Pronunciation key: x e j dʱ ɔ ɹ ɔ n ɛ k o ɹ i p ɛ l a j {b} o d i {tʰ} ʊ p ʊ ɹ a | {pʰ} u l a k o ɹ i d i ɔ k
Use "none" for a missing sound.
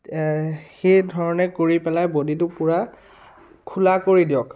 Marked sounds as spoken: b, t, kʰ

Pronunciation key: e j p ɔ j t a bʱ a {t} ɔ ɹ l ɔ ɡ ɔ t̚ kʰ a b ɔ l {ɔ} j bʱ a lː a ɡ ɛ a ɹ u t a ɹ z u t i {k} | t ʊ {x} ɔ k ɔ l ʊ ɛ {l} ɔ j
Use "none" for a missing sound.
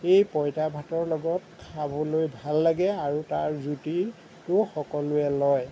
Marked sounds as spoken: t, o, none, x, l

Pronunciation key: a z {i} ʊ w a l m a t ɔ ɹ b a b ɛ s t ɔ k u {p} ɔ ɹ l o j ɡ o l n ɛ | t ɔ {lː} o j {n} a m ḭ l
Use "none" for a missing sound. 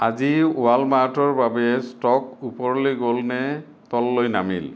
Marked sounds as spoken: i, p, lː, n

